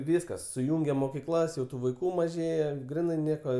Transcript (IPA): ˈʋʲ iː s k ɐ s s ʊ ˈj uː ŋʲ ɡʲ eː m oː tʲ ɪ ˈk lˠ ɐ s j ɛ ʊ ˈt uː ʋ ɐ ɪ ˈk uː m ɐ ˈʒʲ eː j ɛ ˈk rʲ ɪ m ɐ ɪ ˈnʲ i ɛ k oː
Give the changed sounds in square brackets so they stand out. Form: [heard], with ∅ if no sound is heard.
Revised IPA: ˈʋʲ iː s k ɐ s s ʊ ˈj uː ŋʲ ɡʲ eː m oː [kʲ] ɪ ˈk lˠ ɐ s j ɛ ʊ ˈt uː ʋ ɐ ɪ ˈk uː m ɐ ˈʒʲ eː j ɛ [ˈɡ] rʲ ɪ [n] ɐ ɪ ˈnʲ i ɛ k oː